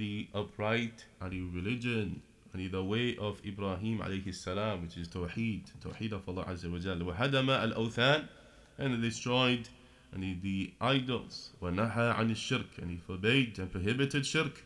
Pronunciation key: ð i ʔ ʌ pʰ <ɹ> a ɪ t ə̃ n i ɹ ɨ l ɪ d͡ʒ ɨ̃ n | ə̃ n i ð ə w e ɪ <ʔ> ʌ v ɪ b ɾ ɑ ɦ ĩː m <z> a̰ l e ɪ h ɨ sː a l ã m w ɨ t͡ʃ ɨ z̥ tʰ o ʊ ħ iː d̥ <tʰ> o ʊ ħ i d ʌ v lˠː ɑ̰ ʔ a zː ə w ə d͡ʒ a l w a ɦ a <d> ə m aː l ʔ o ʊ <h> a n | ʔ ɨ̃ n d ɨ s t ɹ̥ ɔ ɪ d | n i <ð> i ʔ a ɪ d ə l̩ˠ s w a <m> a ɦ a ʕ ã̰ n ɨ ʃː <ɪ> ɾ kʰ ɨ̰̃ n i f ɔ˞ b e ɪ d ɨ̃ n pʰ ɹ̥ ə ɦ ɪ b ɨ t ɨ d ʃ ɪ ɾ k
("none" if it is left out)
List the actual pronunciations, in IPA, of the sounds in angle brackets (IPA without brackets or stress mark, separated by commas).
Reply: ɹ, ʔ, ʕ, tʰ, d, θ, ð, n, ɪ